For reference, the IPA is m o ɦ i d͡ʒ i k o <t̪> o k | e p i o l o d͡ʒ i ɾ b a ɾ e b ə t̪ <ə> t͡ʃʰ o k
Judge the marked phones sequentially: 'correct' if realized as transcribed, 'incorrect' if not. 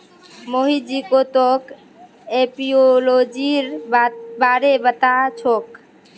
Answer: correct, incorrect: a

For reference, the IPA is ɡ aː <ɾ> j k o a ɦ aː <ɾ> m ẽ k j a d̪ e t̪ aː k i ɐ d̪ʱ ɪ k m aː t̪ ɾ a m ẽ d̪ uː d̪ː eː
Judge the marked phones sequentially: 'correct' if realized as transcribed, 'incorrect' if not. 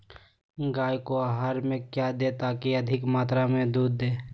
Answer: incorrect: none, correct

